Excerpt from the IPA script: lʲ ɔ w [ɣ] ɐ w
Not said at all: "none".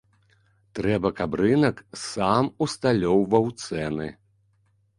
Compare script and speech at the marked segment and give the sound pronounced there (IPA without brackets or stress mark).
v